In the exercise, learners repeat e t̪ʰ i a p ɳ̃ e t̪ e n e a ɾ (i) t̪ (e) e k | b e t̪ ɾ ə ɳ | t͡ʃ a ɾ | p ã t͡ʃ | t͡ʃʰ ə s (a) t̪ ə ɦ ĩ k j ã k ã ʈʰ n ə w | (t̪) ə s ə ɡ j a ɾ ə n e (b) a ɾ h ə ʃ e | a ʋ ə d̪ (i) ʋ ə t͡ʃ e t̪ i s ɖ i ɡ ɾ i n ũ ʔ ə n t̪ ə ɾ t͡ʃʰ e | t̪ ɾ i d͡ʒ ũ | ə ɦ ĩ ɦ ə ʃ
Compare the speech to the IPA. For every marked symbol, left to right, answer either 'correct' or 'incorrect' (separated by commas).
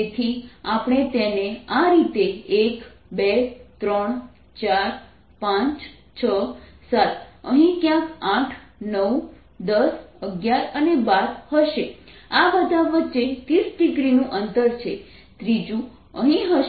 correct, correct, correct, incorrect, correct, incorrect